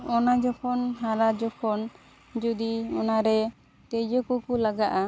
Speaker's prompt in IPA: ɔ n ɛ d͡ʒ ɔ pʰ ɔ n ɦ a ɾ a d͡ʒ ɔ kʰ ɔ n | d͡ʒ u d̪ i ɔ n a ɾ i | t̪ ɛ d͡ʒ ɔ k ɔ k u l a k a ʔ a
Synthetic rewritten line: ɔ n a d͡ʒ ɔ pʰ ɔ n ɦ a ɾ a d͡ʒ ɔ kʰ ɔ n | d͡ʒ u d̪ i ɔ n a ɾ ɛ | t̪ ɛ d͡ʒ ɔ k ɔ k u l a ɡ a ʔ a